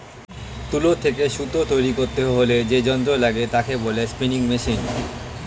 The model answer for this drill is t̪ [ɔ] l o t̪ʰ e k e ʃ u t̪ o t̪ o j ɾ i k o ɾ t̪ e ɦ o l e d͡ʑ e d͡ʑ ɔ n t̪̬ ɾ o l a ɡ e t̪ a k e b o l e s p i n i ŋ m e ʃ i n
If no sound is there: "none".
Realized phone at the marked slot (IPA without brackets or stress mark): u